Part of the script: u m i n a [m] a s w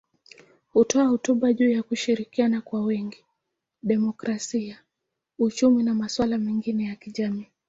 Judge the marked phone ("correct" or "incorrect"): correct